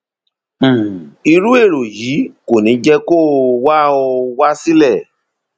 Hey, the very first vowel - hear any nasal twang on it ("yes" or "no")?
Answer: no